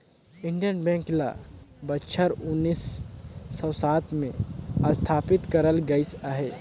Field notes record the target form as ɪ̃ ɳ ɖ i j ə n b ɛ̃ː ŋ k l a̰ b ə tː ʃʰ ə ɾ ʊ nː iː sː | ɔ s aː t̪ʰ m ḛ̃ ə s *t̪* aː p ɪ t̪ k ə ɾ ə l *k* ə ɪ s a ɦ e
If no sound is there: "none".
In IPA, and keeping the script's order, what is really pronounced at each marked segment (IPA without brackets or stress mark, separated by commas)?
t̪ʰ, ɡ